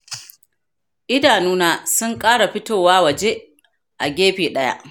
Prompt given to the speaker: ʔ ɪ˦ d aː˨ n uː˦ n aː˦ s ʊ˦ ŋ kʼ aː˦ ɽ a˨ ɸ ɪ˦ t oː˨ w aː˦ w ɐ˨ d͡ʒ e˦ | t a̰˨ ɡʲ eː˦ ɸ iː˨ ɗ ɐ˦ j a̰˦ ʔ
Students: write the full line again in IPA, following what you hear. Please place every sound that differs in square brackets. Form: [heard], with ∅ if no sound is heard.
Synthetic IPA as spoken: ʔ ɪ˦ d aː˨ n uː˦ n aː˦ s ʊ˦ ŋ kʼ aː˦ ɽ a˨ ɸ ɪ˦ t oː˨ w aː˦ w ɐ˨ d͡ʒ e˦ | [ʔ] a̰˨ ɡʲ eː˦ ɸ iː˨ ɗ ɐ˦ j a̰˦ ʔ